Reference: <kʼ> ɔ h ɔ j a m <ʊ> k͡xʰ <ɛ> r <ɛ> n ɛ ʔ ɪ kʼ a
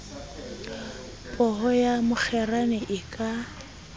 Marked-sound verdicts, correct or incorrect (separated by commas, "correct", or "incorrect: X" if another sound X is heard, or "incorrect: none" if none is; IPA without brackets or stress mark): incorrect: pʼ, correct, correct, incorrect: a